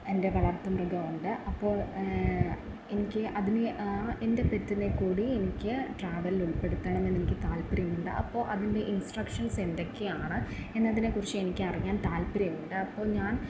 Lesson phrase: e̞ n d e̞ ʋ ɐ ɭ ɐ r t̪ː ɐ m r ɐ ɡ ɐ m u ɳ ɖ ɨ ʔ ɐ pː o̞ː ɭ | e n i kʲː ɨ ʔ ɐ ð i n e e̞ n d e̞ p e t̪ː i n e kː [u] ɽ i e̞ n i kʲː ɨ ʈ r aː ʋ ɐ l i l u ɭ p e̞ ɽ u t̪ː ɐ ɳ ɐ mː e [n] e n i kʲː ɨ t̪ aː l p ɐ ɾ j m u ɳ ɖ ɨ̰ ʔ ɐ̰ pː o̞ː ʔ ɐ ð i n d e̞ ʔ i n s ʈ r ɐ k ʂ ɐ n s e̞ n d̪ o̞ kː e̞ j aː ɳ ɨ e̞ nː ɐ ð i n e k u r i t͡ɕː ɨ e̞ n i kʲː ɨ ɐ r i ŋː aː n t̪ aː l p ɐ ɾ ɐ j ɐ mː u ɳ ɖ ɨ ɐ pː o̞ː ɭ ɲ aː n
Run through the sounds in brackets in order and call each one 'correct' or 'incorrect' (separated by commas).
incorrect, incorrect